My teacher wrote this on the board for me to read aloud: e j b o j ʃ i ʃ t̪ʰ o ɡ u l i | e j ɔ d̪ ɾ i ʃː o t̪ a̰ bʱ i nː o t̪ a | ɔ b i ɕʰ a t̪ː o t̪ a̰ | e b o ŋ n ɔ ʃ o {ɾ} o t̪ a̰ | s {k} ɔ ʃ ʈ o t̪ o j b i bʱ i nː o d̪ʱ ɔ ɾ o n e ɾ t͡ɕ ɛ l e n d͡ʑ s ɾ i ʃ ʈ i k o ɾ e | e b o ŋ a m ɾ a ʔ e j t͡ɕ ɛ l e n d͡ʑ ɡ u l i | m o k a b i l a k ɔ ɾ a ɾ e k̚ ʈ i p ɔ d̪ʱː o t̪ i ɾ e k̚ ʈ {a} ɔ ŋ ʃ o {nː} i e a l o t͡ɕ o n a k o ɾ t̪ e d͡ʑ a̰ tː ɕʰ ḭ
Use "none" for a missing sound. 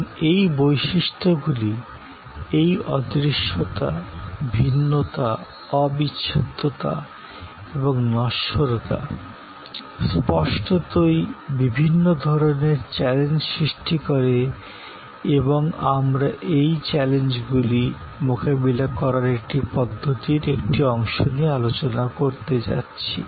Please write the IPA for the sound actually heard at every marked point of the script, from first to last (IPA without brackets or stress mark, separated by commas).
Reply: ɾ, p, i, n